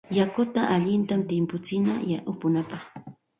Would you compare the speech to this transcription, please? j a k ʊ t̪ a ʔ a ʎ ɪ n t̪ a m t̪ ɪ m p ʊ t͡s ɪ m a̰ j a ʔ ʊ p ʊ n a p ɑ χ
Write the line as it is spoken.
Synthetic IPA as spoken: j a k ʊ t̪ a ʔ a ʎ ɪ n t̪ a m t̪ ɪ m p ʊ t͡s ɪ n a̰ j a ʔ ʊ p ʊ n a p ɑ χ